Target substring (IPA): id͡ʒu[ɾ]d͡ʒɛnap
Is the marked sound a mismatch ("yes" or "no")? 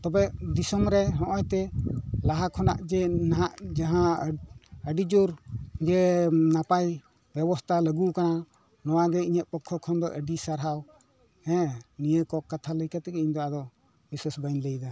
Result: no